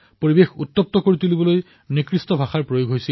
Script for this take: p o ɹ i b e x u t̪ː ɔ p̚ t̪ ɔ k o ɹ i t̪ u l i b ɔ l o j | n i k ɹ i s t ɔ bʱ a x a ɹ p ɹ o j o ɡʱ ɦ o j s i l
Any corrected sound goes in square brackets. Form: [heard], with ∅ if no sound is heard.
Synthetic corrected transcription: p o ɹ i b e x u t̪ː ɔ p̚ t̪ ɔ k o ɹ i t̪ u l i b ɔ l o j | n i k ɹ i s t ɔ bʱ a x a ɹ p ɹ o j o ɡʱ ɦ o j s i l